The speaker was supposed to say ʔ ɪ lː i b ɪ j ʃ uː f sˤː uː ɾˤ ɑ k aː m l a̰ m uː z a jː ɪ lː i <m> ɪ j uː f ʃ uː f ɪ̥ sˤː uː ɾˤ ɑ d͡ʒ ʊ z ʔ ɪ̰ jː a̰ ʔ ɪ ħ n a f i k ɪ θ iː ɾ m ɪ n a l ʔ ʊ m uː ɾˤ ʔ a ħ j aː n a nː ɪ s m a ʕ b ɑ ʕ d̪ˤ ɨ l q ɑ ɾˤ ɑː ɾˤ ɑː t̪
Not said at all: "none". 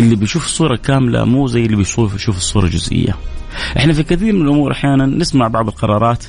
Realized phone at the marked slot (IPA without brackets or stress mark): b